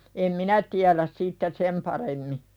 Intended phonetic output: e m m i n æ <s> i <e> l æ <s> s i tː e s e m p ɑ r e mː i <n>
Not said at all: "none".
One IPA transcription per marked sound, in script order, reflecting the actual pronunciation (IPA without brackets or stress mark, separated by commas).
t, æ, s, none